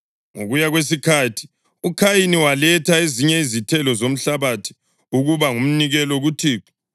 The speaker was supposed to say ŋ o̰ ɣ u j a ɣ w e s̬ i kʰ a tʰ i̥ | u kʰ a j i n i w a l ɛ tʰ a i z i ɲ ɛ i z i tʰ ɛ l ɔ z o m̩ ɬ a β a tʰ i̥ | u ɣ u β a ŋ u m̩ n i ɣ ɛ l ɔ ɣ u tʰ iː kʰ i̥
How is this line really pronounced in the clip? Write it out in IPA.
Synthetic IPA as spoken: ŋ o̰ ɣ u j a ɣ w e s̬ i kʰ a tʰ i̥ | u kʰ a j i n i w a l ɛ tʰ a e z i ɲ ɛ i z i tʰ ɛ l ɔ z o m̩ ɬ a β a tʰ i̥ | u ɣ u β a ŋ u m̩ n i ɣ ɛ l ɔ ɣ u tʰ iː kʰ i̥